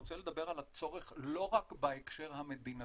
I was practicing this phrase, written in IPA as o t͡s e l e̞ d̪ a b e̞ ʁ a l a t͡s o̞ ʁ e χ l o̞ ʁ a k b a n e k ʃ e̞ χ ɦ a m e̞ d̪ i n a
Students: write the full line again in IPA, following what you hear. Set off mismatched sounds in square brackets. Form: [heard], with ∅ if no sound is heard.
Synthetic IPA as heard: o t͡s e l e̞ d̪ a b e̞ ʁ a l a t͡s o̞ ʁ e χ l o̞ ʁ a k b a [∅] e k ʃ e̞ [ʁ] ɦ a m e̞ d̪ i n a